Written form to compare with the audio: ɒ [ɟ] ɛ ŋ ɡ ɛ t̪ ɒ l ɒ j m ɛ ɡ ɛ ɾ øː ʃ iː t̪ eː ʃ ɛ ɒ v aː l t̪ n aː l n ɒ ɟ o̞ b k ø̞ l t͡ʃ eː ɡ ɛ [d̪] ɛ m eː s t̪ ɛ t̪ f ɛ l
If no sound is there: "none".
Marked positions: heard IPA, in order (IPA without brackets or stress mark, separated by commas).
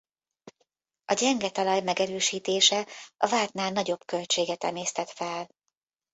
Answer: ɟ, t̪